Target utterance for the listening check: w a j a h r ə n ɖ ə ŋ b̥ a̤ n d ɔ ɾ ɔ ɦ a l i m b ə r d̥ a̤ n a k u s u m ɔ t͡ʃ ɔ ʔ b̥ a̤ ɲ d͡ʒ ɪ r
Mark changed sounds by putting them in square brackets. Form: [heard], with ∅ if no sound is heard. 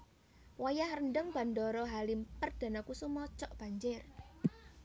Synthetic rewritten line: w a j a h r ə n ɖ ə ŋ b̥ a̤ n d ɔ ɾ ɔ ɦ a l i m [p] ə r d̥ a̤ n a k u s u m ɔ t͡ʃ ɔ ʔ b̥ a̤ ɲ d͡ʒ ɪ r